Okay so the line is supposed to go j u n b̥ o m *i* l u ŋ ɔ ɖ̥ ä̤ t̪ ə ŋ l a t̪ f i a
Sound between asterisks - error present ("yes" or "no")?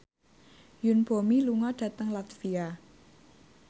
no